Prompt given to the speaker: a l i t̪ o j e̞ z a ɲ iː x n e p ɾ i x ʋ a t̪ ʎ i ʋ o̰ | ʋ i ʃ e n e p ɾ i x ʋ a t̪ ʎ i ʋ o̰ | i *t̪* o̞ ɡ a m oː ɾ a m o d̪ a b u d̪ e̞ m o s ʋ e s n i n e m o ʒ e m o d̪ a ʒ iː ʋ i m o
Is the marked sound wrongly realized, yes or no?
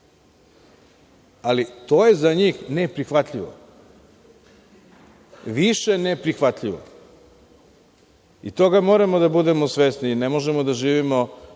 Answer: no